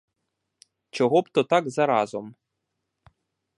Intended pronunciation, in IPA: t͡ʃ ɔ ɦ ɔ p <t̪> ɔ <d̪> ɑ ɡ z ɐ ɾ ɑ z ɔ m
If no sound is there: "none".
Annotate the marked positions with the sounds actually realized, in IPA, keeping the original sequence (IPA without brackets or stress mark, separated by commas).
t̪, t̪